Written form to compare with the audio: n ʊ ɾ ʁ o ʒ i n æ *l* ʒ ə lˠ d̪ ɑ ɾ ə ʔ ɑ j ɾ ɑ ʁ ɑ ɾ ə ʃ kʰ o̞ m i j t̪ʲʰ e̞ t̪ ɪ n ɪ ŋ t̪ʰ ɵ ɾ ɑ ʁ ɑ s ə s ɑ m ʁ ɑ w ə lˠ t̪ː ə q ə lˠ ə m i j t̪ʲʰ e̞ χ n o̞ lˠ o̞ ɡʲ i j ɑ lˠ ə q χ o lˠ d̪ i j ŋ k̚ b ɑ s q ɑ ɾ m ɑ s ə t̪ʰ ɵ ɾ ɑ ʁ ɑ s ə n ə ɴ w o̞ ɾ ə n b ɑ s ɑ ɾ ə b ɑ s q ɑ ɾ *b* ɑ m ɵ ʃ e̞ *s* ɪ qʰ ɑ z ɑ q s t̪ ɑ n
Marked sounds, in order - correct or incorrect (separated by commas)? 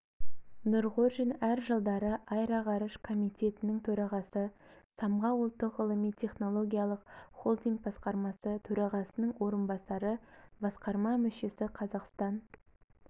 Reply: incorrect, incorrect, correct